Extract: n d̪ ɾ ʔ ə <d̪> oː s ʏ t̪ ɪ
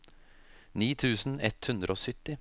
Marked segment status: incorrect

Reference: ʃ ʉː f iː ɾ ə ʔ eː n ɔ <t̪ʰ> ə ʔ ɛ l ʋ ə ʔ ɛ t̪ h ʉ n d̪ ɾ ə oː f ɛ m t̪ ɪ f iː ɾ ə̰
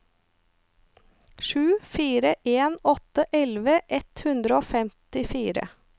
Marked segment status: incorrect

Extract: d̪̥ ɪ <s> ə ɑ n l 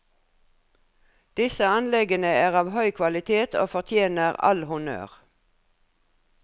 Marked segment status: correct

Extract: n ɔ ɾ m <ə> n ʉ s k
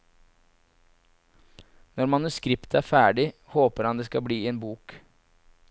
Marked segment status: incorrect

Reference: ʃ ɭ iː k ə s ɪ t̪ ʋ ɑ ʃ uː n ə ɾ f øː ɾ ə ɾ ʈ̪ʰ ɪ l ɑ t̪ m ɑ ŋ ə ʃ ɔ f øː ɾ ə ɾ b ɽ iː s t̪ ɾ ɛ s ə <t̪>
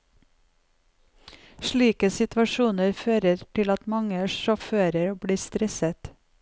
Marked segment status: correct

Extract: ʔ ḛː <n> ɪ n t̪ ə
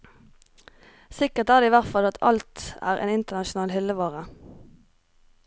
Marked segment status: correct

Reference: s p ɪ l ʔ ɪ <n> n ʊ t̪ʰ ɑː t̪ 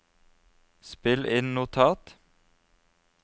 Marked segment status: correct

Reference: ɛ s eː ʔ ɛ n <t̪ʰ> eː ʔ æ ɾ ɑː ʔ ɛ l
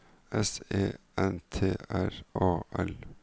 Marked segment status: correct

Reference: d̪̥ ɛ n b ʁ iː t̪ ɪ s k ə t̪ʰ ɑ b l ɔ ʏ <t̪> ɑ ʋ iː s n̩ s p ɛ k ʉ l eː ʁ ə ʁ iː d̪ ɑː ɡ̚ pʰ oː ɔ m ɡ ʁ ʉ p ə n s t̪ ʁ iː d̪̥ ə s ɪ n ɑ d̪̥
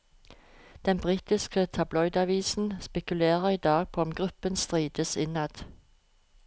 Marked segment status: incorrect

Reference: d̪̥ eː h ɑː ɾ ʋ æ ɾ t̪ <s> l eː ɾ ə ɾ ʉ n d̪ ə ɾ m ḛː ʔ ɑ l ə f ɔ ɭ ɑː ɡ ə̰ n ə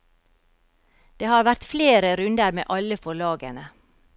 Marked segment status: incorrect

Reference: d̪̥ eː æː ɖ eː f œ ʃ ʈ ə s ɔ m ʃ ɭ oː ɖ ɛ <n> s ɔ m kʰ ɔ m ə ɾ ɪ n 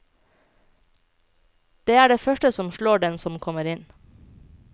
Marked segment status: correct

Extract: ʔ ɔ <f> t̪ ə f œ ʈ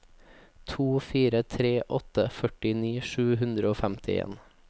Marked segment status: incorrect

